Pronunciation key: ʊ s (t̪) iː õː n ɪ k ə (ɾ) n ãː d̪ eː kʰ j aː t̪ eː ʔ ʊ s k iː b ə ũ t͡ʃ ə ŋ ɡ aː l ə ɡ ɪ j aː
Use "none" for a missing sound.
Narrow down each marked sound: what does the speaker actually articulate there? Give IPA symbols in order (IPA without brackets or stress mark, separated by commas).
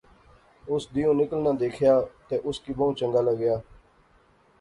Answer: d̪, l